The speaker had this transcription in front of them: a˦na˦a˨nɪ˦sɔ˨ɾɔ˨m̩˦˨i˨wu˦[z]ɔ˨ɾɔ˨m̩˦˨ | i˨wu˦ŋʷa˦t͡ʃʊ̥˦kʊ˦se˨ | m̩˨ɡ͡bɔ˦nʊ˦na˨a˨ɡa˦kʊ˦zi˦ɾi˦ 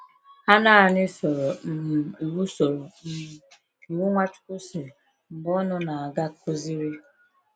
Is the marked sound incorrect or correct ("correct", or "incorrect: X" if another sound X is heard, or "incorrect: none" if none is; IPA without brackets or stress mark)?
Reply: incorrect: s